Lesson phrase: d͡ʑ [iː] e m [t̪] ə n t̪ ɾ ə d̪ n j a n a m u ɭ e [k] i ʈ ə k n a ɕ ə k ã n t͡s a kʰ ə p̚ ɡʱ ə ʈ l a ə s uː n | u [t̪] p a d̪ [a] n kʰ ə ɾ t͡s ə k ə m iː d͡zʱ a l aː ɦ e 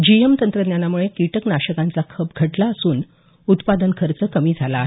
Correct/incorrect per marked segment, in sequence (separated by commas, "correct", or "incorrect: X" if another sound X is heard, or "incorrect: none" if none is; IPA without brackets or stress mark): incorrect: i, correct, correct, correct, incorrect: ə